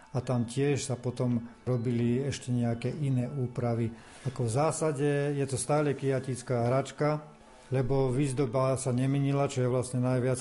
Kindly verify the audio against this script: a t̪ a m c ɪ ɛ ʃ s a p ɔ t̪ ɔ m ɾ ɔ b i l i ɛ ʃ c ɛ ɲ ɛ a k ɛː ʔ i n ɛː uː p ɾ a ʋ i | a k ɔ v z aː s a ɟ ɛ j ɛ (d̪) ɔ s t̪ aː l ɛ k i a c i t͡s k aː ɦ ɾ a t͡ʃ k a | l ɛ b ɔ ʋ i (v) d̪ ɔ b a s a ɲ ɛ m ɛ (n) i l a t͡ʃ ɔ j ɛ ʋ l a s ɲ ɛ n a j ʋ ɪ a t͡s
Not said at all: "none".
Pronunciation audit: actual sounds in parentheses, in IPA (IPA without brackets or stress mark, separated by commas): t̪, z, ɲ